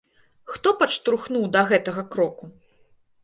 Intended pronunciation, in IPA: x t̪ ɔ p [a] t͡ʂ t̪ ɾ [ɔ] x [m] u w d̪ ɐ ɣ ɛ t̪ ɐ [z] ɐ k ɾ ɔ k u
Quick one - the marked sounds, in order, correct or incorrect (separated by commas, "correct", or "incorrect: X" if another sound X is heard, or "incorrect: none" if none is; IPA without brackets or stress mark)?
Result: incorrect: ɐ, incorrect: u, incorrect: n, incorrect: ɣ